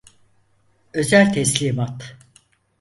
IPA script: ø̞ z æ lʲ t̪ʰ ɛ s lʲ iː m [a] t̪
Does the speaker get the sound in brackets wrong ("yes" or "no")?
no